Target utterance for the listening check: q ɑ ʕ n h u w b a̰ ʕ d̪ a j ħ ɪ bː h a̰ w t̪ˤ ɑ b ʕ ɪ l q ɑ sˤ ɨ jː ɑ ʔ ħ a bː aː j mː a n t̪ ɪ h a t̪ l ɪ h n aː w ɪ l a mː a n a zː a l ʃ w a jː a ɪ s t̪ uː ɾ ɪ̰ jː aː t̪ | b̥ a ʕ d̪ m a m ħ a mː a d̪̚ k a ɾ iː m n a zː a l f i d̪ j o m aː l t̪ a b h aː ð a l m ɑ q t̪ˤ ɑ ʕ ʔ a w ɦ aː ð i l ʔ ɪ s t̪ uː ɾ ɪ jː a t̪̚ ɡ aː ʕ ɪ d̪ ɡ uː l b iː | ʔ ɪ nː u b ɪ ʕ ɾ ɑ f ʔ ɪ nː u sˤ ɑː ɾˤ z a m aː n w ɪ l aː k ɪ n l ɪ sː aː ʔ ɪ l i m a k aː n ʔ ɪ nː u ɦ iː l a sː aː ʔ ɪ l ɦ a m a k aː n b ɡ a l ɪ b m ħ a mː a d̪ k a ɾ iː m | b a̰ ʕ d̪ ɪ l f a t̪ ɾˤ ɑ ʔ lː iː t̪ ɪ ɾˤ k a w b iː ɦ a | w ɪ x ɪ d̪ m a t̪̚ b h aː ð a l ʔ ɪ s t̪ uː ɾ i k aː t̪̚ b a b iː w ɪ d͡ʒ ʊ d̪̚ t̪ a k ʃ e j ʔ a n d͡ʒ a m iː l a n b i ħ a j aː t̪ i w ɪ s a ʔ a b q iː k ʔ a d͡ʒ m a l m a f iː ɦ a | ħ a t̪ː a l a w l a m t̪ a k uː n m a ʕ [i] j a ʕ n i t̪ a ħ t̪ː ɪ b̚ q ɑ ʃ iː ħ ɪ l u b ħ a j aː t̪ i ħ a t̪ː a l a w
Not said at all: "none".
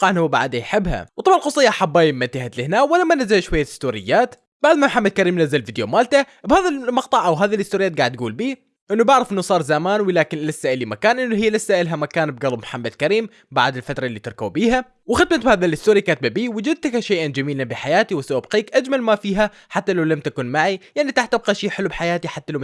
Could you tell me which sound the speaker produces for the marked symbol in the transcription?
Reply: i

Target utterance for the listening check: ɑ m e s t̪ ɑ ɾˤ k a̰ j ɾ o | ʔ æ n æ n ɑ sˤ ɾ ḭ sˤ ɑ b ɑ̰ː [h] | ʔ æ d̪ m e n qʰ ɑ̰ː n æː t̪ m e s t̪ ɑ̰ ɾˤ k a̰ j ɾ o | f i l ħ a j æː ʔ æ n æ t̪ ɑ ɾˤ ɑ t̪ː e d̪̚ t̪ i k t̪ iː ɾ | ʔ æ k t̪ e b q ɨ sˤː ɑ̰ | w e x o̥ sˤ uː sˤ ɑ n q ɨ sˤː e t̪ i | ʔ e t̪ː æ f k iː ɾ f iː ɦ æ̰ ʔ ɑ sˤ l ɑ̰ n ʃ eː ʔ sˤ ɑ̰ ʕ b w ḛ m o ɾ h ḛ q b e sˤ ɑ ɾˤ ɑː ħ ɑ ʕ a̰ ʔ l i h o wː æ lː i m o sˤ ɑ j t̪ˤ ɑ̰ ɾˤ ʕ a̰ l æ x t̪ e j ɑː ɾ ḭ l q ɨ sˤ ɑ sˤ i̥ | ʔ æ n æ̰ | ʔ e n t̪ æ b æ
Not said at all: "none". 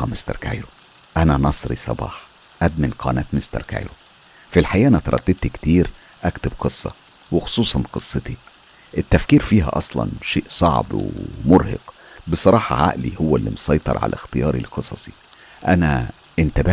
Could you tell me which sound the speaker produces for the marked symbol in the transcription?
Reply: ħ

